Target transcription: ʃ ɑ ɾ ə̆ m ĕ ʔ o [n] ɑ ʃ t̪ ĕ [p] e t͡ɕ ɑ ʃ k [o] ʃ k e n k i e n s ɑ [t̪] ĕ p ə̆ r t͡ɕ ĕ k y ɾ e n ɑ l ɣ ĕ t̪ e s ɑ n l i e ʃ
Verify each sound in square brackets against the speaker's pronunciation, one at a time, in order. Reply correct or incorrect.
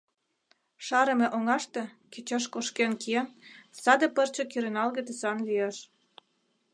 incorrect: ŋ, incorrect: k, correct, incorrect: d̪

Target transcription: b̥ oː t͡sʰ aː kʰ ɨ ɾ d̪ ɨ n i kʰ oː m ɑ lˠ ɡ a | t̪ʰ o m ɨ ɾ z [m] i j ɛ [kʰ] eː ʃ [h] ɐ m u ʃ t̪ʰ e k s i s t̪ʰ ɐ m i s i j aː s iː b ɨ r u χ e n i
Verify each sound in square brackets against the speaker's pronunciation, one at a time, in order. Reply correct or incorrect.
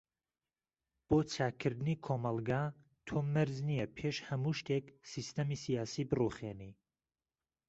incorrect: n, incorrect: pʰ, correct

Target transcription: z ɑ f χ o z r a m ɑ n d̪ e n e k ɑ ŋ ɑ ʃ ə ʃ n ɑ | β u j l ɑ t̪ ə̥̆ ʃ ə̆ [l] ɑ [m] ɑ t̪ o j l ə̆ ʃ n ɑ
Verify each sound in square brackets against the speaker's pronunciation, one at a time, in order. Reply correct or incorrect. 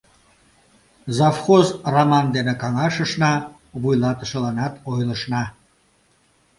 correct, incorrect: n

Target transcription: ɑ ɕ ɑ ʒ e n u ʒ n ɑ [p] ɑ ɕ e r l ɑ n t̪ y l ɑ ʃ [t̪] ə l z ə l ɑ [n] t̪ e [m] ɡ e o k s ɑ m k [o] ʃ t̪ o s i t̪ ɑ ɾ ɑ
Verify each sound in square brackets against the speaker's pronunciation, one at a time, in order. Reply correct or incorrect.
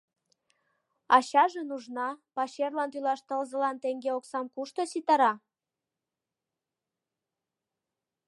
correct, correct, correct, incorrect: ŋ, incorrect: u

